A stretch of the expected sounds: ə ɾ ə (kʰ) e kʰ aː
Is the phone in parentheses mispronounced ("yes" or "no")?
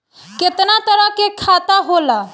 yes